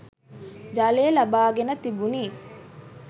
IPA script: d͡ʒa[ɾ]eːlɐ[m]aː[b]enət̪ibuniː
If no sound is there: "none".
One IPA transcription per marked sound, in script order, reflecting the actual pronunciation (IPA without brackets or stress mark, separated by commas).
l, b, ɡ